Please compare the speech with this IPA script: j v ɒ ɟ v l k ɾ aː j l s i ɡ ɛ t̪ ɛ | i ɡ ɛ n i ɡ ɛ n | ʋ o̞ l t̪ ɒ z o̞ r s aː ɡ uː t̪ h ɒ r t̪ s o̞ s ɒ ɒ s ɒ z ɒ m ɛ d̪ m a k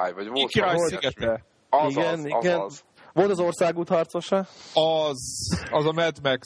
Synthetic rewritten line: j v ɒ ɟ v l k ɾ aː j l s i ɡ ɛ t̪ ɛ | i ɡ ɛ n i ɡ ɛ n | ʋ o̞ l t̪ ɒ z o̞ r s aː ɡ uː t̪ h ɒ r t̪ s o̞ ʃ ɒ ɒ z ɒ z ɒ m ɛ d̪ m ɛ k